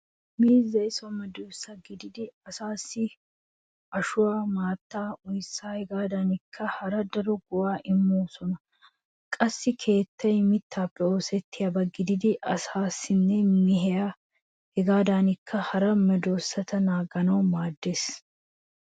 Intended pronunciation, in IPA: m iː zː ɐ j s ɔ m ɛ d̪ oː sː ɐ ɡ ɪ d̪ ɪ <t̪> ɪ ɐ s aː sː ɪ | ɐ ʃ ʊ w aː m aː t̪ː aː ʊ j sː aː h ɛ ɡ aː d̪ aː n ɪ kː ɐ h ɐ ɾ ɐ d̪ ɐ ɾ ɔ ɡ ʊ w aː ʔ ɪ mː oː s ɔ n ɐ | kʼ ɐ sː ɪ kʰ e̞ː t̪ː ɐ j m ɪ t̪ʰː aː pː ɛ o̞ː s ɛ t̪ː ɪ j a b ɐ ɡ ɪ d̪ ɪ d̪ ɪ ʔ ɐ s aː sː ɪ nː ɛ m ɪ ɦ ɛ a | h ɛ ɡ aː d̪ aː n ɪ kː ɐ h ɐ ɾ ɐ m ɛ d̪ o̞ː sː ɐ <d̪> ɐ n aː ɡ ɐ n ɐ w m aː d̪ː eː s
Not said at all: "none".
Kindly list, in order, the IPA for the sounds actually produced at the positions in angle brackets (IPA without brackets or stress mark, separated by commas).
d̪, t̪